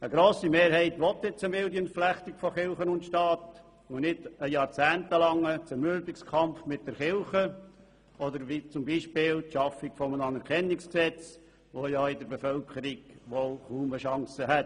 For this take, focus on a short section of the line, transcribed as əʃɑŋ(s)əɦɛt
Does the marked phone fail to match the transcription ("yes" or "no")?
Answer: no